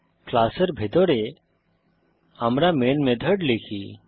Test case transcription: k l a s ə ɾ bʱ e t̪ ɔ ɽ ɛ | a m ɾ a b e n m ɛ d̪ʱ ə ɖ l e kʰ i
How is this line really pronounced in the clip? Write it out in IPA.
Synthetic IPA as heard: k l a s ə ɾ bʱ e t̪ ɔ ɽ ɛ | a m ɾ a m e n m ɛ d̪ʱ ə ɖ l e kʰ i